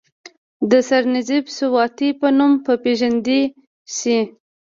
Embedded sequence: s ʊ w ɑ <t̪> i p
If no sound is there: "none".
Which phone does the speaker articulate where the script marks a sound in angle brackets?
t̪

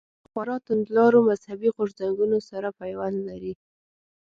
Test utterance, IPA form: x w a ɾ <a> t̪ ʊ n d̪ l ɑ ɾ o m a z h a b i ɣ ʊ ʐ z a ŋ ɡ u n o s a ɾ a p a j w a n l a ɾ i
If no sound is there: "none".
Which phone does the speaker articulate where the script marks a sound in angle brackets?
ɑ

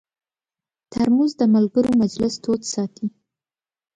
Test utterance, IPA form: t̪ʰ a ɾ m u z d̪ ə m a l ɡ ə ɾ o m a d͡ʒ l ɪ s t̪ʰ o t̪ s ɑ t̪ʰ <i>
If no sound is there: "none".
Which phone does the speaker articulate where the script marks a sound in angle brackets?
i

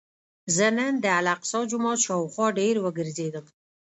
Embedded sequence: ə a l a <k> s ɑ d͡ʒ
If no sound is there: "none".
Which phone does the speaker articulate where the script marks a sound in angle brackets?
q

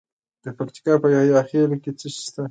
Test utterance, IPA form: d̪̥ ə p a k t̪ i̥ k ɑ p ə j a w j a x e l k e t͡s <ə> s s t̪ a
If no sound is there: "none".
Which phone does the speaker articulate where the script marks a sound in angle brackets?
ə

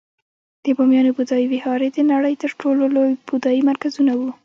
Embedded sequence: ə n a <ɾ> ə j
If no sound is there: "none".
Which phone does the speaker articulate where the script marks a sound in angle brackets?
ɽ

